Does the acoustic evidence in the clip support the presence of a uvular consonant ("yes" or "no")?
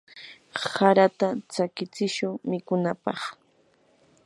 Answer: yes